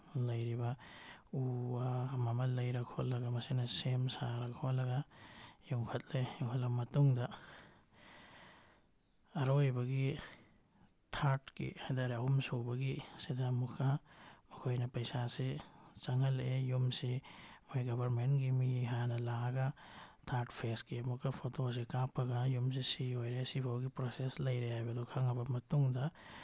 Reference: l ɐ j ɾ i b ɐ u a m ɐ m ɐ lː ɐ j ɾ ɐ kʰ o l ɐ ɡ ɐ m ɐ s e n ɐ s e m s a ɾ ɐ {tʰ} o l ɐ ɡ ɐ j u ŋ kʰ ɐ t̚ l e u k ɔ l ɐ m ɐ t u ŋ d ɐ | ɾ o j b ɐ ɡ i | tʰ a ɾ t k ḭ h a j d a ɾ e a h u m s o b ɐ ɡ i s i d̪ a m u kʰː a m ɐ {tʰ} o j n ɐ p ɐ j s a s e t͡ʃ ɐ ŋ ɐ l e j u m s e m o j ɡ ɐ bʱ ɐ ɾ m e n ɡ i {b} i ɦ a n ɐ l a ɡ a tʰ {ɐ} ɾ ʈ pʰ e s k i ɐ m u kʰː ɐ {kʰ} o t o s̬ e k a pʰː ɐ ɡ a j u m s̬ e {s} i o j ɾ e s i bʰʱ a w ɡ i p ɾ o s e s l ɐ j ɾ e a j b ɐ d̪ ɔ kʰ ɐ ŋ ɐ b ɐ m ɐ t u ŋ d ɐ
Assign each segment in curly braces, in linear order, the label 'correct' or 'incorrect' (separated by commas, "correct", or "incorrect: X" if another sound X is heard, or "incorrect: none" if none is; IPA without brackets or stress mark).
incorrect: kʰ, incorrect: kʰ, incorrect: m, incorrect: a, incorrect: pʰ, correct